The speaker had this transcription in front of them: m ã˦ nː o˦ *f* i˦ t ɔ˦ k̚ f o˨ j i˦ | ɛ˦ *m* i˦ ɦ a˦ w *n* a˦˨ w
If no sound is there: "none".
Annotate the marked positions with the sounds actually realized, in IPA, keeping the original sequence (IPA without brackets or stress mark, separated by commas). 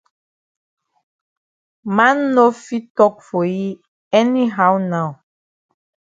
f, n, n